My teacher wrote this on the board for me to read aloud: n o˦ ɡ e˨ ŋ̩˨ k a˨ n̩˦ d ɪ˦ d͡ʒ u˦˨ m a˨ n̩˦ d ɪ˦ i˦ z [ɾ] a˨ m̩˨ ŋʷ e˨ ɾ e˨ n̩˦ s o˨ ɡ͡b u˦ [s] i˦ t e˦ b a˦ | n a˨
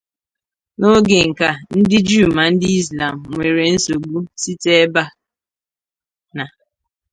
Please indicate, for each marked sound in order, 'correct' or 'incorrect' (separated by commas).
incorrect, correct